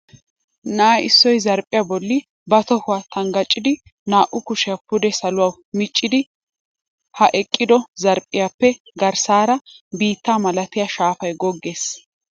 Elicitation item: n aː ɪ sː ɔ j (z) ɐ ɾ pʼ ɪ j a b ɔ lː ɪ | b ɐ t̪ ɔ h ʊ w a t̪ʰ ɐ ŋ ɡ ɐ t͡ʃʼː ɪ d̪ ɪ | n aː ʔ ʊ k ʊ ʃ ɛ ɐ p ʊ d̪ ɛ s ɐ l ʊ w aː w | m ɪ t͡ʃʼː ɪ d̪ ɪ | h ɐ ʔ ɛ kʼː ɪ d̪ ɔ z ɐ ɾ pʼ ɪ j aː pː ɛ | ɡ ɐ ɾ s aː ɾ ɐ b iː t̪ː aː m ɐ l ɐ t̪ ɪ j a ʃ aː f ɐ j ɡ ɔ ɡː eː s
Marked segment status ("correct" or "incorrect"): correct